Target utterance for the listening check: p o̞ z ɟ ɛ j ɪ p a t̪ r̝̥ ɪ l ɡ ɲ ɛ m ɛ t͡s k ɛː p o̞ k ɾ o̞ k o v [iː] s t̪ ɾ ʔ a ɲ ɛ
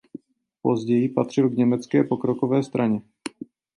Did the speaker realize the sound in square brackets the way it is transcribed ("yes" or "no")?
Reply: no